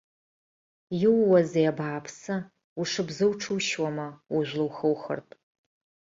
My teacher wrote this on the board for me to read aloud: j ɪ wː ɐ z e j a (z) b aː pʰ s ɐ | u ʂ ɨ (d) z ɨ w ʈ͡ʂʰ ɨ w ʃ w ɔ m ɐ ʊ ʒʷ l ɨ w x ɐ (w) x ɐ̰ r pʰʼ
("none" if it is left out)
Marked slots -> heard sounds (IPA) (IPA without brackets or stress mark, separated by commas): none, b, w